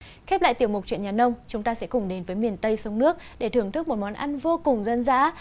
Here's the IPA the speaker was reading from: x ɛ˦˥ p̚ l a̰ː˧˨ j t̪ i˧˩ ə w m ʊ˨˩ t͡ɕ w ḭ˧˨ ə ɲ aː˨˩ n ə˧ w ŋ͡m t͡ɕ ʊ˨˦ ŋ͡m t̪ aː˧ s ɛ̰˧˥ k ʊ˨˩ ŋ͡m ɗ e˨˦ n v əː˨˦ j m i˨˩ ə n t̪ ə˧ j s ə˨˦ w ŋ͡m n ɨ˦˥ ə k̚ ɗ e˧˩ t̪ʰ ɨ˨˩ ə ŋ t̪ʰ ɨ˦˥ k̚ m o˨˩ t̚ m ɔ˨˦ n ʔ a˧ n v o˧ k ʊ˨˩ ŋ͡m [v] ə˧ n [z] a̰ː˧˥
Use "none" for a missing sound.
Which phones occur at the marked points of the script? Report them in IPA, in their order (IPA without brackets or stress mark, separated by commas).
z, z